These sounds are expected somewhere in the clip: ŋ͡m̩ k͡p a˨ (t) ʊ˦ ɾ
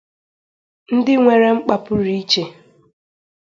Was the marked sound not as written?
yes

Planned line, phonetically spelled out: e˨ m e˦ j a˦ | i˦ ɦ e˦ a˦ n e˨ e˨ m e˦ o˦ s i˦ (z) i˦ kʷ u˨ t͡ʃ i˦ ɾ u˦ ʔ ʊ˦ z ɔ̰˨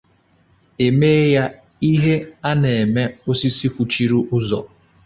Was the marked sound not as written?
yes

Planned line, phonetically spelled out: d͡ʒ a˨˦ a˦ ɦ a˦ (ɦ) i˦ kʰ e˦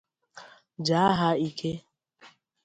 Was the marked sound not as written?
yes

